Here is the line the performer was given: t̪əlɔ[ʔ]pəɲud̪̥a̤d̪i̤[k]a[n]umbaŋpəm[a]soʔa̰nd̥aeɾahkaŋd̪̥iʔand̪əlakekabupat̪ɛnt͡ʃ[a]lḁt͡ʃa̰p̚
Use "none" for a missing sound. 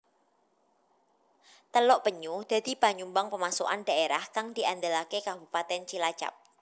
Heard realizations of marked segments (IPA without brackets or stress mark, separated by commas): ʔ, p, ɲ, a, i